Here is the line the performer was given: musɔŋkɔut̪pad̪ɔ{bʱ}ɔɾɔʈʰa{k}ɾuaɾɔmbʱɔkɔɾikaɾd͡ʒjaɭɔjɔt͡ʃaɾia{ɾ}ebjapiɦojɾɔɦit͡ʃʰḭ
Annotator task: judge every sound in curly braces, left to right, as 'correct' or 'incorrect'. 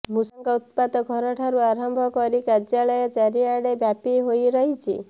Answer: incorrect: ɡʱ, incorrect: none, incorrect: ɽ

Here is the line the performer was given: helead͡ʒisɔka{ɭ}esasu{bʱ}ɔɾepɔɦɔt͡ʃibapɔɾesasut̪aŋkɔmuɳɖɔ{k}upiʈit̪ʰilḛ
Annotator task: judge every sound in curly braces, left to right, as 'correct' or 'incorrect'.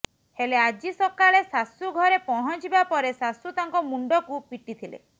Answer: correct, incorrect: ɡʱ, correct

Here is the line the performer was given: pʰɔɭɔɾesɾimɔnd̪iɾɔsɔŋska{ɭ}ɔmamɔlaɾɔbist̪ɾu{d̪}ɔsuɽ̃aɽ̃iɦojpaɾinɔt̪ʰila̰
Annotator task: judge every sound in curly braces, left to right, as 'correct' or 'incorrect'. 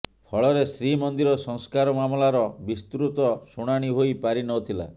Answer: incorrect: ɾ, incorrect: t̪

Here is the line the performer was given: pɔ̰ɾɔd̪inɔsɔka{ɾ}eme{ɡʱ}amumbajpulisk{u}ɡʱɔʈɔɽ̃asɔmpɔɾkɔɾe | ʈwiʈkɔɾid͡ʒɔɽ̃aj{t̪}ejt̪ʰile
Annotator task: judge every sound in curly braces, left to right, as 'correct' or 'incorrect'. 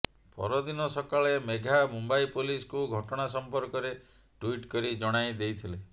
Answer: incorrect: ɭ, correct, correct, incorrect: d̪

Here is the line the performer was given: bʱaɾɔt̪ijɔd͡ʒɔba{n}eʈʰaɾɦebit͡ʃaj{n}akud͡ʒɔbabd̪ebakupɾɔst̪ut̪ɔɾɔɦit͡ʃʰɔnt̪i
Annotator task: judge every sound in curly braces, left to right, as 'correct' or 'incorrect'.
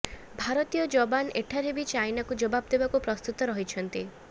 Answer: correct, correct

